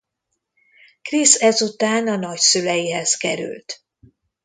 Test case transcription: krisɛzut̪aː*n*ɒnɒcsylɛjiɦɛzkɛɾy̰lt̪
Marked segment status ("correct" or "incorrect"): correct